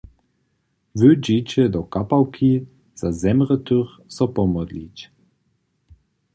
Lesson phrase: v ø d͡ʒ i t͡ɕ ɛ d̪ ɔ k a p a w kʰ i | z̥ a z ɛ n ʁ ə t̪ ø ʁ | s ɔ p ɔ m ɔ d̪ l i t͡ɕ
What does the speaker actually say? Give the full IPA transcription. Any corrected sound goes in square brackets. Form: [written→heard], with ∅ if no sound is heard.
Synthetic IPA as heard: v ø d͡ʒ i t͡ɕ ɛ d̪ ɔ k a p a w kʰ i | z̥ a z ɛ [n→m] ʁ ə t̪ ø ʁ | s ɔ p ɔ m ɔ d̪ l i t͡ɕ